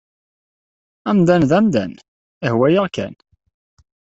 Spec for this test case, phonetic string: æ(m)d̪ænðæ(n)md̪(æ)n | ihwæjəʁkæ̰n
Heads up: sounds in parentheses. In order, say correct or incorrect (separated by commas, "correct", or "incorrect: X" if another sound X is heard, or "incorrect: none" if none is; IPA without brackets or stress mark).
correct, incorrect: none, correct